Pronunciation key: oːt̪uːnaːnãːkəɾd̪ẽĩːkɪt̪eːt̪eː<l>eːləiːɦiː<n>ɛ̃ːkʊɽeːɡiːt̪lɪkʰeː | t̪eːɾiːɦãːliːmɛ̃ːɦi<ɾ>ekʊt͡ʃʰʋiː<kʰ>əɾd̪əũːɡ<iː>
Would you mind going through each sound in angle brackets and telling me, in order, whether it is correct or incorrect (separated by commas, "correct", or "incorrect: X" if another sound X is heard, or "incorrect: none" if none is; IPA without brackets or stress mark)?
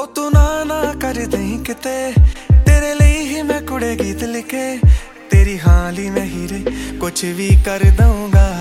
incorrect: ɾ, incorrect: m, correct, incorrect: k, incorrect: aː